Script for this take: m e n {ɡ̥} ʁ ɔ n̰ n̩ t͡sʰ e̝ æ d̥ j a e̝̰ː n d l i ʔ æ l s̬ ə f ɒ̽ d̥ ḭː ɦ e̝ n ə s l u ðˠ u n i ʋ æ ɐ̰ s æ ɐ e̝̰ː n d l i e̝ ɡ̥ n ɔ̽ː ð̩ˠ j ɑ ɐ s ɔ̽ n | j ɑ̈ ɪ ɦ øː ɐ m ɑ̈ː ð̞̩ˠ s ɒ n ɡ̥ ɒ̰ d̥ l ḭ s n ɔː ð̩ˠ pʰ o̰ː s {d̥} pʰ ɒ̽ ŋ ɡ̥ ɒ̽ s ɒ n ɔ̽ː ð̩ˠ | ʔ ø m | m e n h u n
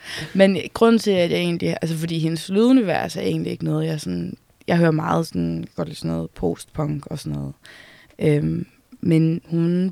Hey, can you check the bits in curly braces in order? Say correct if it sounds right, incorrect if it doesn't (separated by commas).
correct, correct